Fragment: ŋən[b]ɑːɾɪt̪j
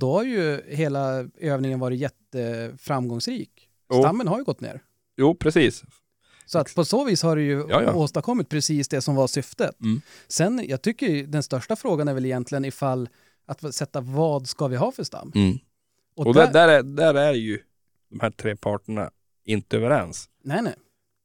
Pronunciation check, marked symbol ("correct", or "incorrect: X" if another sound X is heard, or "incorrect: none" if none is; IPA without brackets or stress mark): incorrect: v